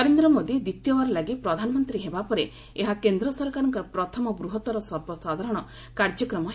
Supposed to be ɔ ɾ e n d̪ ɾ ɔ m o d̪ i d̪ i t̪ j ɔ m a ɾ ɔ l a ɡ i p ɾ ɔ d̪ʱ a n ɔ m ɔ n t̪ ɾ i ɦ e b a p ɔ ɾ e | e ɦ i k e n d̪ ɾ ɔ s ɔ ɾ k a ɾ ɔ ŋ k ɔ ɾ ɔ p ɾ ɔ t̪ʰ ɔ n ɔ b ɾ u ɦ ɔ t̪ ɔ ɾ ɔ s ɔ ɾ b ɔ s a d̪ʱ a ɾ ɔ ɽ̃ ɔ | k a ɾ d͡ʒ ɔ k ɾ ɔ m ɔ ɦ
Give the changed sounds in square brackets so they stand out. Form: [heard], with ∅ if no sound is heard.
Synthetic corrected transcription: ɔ ɾ e n d̪ ɾ ɔ m o d̪ i d̪ i t̪ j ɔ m a ɾ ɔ l a ɡ i p ɾ ɔ d̪ʱ a n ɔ m ɔ n t̪ ɾ i ɦ e b a p ɔ ɾ e | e ɦ [a] k e n d̪ ɾ ɔ s ɔ ɾ k a ɾ ɔ ŋ k ɔ ɾ ɔ p ɾ ɔ t̪ʰ ɔ [m] ɔ b ɾ u ɦ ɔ t̪ ɔ ɾ ɔ s ɔ ɾ b ɔ s a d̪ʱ a ɾ ɔ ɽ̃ ɔ | k a ɾ d͡ʒ ɔ k ɾ ɔ m ɔ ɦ

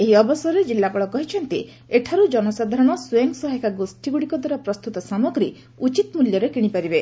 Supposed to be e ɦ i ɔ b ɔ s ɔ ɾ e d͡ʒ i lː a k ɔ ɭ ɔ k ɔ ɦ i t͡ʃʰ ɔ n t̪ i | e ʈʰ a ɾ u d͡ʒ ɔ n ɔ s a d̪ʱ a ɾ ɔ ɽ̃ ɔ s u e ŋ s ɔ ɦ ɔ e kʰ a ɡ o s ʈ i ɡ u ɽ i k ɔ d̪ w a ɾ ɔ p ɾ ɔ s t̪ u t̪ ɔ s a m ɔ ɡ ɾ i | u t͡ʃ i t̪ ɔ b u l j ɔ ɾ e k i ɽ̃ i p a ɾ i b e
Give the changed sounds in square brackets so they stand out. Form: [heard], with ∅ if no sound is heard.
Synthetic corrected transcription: e ɦ i ɔ b ɔ s ɔ ɾ e d͡ʒ i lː a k ɔ ɭ ɔ k ɔ ɦ i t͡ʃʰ ɔ n t̪ i | e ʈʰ a ɾ u d͡ʒ ɔ n ɔ s a d̪ʱ a ɾ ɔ ɽ̃ ɔ s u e ŋ s ɔ ɦ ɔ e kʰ a ɡ o s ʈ i ɡ u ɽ i k ɔ d̪ w a ɾ ɔ p ɾ ɔ s t̪ u t̪ ɔ s a m ɔ ɡ ɾ i | u t͡ʃ i t̪ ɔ [m] u l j ɔ ɾ e k i ɽ̃ i p a ɾ i b e

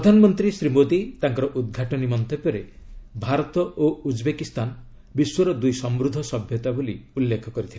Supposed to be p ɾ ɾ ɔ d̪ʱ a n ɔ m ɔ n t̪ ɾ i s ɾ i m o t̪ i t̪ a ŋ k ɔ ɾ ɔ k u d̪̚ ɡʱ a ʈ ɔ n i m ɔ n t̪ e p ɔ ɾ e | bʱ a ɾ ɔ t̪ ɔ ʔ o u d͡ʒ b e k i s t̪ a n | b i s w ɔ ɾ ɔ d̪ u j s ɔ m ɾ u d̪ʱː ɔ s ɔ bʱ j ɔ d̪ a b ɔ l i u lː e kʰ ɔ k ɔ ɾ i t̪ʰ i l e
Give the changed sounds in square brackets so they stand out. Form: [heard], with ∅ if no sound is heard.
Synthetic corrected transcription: p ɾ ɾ ɔ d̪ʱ a n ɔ m ɔ n t̪ ɾ i s ɾ i m o [d̪] i t̪ a ŋ k ɔ ɾ ɔ [ʔ] u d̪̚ ɡʱ a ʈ ɔ n i m ɔ n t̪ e p ɔ ɾ e | bʱ a ɾ ɔ t̪ ɔ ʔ o u d͡ʒ b e k i s t̪ a n | b i s w ɔ ɾ ɔ d̪ u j s ɔ m ɾ u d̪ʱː ɔ s ɔ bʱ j ɔ [t̪] a b [o] l i u lː e kʰ ɔ k ɔ ɾ i t̪ʰ i l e

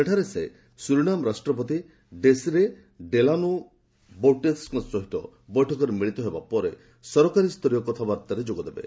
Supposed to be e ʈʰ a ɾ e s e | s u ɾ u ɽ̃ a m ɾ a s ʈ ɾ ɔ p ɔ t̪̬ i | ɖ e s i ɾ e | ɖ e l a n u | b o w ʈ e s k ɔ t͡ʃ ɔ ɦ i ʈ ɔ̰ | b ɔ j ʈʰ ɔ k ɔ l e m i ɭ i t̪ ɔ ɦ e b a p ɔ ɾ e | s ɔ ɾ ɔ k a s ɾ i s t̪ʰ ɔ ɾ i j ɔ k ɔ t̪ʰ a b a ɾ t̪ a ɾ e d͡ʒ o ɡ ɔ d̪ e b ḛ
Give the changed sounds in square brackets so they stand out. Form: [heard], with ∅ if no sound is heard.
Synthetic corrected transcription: e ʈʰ a ɾ e s e | s u ɾ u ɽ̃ a m ɾ a s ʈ ɾ ɔ p ɔ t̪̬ i | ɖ e s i ɾ e | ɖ e l a n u | b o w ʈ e s k ɔ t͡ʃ ɔ ɦ i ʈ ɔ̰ | b ɔ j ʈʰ ɔ k ɔ [ɾ] e m i ɭ i t̪ ɔ ɦ e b a p ɔ ɾ e | s ɔ ɾ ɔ k a [∅] ɾ i s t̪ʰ ɔ ɾ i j ɔ k ɔ t̪ʰ a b a ɾ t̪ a ɾ e d͡ʒ o ɡ ɔ d̪ e b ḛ

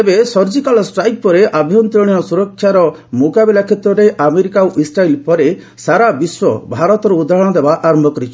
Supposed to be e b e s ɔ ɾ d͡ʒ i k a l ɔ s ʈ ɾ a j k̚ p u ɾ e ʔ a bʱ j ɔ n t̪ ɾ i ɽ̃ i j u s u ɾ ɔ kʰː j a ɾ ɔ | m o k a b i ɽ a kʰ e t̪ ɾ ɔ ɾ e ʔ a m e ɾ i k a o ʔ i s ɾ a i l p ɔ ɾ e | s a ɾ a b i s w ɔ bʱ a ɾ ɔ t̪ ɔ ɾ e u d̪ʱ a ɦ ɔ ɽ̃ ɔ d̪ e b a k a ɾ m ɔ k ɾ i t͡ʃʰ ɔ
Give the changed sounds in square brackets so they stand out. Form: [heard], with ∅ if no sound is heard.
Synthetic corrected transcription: e b e s ɔ ɾ d͡ʒ i k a l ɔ s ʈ ɾ a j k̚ p [ɔ] ɾ e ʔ a bʱ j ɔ n t̪ ɾ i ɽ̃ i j [ɔ] s u ɾ ɔ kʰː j a ɾ ɔ | m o k a b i [l] a kʰ e t̪ ɾ ɔ ɾ e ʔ a m e ɾ i k a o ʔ i s ɾ a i l p ɔ ɾ e | s a ɾ a b i s w ɔ bʱ a ɾ ɔ t̪ ɔ ɾ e u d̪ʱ a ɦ ɔ ɽ̃ ɔ d̪ e b a [ʔ] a ɾ m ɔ k ɾ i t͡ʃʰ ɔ

